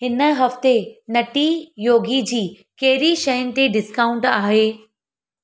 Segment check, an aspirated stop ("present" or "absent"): absent